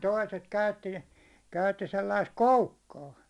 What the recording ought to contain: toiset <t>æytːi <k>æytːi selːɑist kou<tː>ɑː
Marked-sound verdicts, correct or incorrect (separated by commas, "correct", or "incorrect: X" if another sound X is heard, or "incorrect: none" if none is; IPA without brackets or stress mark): incorrect: k, correct, incorrect: kː